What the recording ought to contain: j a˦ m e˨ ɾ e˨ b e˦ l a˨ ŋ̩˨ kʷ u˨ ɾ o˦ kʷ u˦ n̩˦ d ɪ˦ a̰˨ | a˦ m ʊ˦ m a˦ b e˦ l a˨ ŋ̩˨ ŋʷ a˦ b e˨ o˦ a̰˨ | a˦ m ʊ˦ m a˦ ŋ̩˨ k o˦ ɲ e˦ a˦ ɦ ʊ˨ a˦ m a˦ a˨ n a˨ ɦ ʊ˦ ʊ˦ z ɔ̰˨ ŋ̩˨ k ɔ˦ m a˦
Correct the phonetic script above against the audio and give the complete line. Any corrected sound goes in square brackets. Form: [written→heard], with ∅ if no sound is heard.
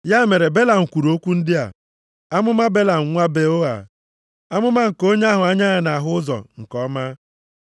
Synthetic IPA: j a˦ m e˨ ɾ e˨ b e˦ l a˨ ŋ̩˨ kʷ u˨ ɾ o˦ kʷ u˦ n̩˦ d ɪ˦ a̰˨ | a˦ m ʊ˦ m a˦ b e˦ l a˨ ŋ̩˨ ŋʷ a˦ b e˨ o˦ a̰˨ | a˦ m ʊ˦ m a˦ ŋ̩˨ k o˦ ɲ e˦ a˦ ɦ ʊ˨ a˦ [m→ɲ] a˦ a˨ n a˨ ɦ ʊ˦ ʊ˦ z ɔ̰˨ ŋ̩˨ k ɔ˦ m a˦